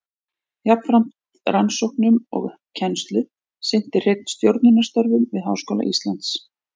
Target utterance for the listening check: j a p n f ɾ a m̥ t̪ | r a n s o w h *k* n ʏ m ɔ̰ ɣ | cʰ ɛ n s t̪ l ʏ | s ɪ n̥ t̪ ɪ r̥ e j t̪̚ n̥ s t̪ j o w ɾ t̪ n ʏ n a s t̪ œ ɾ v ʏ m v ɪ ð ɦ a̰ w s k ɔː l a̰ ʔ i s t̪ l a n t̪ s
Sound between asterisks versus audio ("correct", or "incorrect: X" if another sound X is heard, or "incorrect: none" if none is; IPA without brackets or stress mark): correct